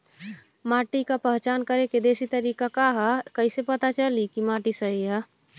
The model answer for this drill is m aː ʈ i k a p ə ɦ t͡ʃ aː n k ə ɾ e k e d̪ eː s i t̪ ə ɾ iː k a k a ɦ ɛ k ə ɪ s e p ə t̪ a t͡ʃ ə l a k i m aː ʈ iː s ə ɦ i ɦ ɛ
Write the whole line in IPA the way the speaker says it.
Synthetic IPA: m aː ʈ i k a p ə ɦ t͡ʃ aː n k ə ɾ e k e d̪ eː s i t̪ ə ɾ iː k a k a ɦ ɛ k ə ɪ s e p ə t̪ a t͡ʃ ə l i k i m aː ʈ i s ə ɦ i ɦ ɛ